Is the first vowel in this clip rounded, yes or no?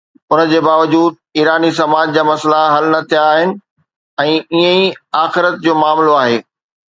yes